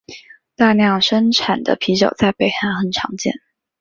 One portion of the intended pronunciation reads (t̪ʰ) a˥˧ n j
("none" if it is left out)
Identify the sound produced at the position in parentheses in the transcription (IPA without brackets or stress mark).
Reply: t̪